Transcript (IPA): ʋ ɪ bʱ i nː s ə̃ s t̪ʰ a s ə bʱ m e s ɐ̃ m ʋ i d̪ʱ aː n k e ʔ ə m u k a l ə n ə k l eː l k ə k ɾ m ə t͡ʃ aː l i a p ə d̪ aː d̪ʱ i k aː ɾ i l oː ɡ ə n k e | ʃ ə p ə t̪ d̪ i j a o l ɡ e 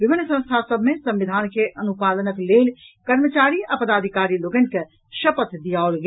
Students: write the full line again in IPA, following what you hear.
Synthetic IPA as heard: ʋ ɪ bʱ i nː s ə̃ s t̪ʰ a s ə bʱ m e s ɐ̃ m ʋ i d̪ʱ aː n k e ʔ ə n u p a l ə n ə k l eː l k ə ɾ m ə t͡ʃ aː ɾ i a p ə d̪ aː d̪ʱ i k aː ɾ i l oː ɡ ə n k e | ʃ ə p ə t̪ d̪ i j a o l ɡ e